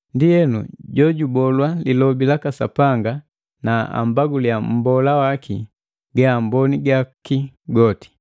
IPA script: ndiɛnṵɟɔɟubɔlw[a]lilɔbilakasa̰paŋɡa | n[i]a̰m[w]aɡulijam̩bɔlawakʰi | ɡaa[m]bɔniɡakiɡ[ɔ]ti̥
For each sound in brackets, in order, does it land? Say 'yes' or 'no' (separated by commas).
yes, no, no, yes, yes